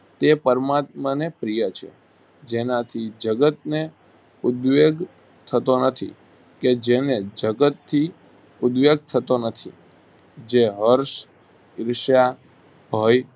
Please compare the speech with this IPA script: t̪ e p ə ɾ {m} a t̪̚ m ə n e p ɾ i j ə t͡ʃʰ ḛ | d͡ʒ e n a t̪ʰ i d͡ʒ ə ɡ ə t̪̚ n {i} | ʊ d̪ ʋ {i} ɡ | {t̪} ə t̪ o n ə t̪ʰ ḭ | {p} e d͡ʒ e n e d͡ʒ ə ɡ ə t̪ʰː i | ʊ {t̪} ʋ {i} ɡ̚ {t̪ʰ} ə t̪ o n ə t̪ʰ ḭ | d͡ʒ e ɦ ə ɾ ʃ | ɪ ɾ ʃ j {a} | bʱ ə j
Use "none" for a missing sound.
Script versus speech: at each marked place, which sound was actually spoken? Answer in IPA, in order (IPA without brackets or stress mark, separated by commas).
m, e, e, t̪ʰ, k, d̪, e, t̪ʰ, a